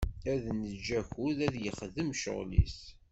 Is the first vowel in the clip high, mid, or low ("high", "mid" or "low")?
low